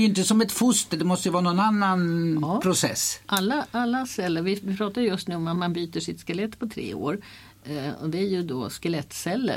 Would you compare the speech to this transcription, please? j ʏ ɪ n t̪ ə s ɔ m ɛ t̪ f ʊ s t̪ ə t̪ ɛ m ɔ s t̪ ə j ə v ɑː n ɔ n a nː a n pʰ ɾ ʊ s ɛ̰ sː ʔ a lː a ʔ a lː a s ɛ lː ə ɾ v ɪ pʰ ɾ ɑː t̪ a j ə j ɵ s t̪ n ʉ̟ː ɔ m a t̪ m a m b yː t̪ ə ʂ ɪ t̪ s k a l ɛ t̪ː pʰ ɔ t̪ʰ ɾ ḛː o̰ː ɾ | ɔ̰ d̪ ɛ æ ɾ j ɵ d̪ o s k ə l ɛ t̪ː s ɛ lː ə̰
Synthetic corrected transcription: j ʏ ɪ n t̪ ə s ɔ m ɛ t̪ f ʊ s t̪ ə d̪ ɛ m ɔ s t̪ ə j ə v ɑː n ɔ n a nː a n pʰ ɾ ʊ s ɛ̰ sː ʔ a lː a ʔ a lː a s ɛ lː ə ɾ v ɪ pʰ ɾ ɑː t̪ a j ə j ɵ s t̪ n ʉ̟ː ɔ m a t̪ m a n b yː t̪ ə ʂ ɪ t̪ s k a l ɛ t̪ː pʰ ɔ t̪ʰ ɾ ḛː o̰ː ɾ | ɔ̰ d̪ ɛ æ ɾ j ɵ d̪ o s k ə l ɛ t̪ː s ɛ lː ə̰